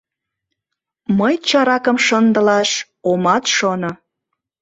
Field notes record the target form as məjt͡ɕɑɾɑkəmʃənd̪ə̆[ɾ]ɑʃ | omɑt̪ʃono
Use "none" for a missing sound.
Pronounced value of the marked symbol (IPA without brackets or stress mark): l